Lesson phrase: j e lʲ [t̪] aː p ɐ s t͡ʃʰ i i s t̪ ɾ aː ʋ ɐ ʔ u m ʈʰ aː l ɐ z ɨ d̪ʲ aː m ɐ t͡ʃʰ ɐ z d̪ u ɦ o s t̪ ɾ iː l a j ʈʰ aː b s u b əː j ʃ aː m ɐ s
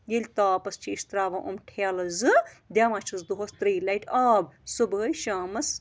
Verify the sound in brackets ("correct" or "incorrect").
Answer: correct